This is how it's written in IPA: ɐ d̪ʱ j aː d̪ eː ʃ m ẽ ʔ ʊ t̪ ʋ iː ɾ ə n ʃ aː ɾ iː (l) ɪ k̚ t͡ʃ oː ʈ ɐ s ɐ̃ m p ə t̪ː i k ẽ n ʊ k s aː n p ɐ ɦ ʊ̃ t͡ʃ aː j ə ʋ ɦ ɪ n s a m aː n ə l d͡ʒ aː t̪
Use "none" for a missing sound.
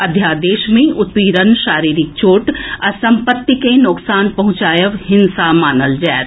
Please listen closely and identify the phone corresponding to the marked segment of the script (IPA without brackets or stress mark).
ɾ